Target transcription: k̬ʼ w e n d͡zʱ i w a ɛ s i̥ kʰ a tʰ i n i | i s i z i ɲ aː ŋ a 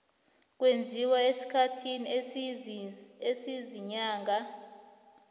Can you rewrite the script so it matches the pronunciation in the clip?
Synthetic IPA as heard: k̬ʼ w e n d͡zʱ i w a e s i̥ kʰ a tʰ i n i | e s i z i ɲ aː ŋ a